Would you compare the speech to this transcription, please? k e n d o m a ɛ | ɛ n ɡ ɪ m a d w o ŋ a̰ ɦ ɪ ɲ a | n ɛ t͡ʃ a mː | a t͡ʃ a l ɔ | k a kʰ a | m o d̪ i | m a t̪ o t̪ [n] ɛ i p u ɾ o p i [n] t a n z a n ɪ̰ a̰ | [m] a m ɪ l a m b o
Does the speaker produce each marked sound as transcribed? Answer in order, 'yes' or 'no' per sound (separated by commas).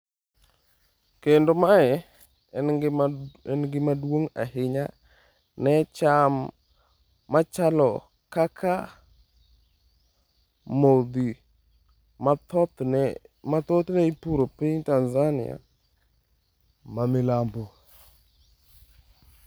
yes, no, yes